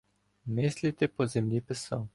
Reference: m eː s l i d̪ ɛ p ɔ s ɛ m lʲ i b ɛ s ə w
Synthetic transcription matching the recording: m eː s l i t̪ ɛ p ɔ z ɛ m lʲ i p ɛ s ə w